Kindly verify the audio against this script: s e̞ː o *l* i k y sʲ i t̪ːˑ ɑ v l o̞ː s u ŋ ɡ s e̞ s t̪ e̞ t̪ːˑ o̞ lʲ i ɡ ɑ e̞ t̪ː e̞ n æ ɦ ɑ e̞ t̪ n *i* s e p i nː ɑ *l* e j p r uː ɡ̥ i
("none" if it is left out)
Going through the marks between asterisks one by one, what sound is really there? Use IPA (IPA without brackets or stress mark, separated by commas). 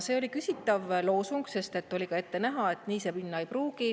l, iː, none